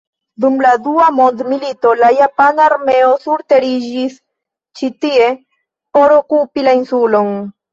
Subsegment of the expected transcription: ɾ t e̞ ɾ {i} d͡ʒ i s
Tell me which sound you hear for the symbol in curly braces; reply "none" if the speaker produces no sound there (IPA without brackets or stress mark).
i